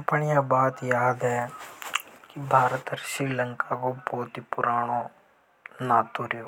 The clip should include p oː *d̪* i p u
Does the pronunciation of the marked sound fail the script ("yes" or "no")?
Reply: yes